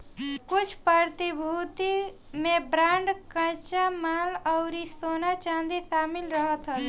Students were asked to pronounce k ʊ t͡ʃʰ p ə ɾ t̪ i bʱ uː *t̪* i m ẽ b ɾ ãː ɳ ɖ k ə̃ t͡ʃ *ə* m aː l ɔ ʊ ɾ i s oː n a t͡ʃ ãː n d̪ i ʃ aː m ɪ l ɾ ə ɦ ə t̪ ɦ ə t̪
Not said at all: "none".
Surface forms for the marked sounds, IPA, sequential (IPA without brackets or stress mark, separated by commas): t̪, a